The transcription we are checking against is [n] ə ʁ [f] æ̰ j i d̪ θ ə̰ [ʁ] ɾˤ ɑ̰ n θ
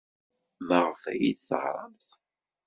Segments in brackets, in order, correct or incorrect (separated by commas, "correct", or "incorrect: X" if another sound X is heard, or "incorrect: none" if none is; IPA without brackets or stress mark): incorrect: m, correct, correct